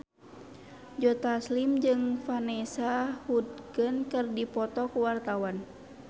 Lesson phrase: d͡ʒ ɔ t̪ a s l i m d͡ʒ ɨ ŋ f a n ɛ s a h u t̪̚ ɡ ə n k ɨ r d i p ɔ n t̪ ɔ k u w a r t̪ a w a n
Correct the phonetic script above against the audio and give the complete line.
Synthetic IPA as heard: d͡ʒ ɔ t̪ a s l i m d͡ʒ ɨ ŋ f a n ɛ s a h u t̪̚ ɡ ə n k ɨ r d i p ɔ t̪ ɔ k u w a r t̪ a w a n